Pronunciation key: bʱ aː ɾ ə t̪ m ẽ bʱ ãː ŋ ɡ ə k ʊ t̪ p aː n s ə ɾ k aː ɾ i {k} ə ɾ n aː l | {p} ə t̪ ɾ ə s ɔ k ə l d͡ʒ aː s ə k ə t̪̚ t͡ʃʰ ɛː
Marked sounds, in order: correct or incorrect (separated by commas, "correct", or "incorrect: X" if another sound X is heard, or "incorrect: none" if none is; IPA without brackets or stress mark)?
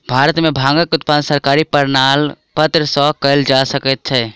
incorrect: p, correct